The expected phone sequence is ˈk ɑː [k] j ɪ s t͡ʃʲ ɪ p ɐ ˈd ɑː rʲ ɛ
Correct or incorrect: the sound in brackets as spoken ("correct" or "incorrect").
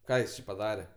incorrect